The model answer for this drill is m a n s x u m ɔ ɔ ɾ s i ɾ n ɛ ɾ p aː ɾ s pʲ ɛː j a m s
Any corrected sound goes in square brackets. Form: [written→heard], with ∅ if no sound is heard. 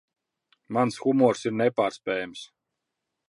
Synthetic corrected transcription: m a n s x u m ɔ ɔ ɾ s i ɾ n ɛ [ɾ→∅] p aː ɾ s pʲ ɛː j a m s